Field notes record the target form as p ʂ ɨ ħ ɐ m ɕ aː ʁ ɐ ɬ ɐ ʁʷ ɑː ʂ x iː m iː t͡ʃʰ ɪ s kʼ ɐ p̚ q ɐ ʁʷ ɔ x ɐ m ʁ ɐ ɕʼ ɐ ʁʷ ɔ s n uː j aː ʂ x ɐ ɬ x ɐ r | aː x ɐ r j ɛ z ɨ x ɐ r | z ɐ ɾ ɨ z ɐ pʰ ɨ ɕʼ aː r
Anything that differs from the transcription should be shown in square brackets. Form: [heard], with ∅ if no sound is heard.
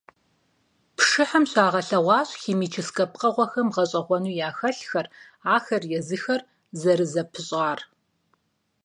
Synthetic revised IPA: p ʂ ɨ ħ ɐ m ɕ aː ʁ ɐ ɬ ɐ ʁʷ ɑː [ɕ] x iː m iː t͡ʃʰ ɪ s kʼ ɐ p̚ q ɐ ʁʷ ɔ x ɐ m ʁ ɐ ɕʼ ɐ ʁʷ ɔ [∅] n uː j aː [∅] x ɐ ɬ x ɐ r | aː x ɐ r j ɛ z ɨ x ɐ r | z ɐ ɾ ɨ z ɐ pʰ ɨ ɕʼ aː r